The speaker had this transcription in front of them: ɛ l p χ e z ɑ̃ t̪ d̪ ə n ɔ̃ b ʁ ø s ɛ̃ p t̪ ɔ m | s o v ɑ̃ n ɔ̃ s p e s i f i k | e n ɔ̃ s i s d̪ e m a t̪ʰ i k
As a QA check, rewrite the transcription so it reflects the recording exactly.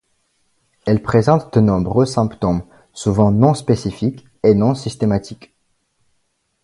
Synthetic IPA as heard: ɛ l p χ e z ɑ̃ t̪ d̪ ə n ɔ̃ b ʁ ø s ɛ̃ p t̪ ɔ m | s u v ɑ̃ n ɔ̃ s p e s i f i k | e n ɔ̃ s i s t̪ e m a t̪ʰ i k